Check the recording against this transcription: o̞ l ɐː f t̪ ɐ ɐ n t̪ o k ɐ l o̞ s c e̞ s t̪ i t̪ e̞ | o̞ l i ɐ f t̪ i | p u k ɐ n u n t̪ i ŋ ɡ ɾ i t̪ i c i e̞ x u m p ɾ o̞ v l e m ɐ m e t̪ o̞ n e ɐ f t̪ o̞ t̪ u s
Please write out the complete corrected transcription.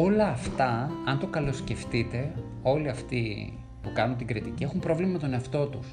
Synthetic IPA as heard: o̞ l ɐː f t̪ ɐ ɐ n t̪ o k ɐ l o̞ s c e̞ f t̪ i t̪ e̞ | o̞ l i ɐ f t̪ i | p u k ɐ n u n t̪ i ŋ ɡ ɾ i t̪ i c i e̞ x u m p ɾ o̞ v l i m ɐ m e t̪ o̞ n e ɐ f t̪ o̞ t̪ u s